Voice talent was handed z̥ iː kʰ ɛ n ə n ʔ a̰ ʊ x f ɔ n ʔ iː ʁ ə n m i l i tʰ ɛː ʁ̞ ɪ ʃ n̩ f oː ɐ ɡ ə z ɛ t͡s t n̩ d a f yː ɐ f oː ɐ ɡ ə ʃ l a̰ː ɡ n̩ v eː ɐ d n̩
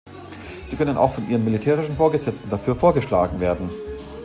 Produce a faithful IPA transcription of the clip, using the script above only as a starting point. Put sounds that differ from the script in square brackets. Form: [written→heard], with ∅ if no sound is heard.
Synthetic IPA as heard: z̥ iː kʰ [ɛ→œ] n ə n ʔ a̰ ʊ x f ɔ n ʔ iː ʁ ə n m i l i tʰ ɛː ʁ̞ ɪ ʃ n̩ f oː ɐ ɡ ə z ɛ t͡s t n̩ d a f yː ɐ f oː ɐ ɡ ə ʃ l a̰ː ɡ [n̩→ŋ̩] v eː ɐ d n̩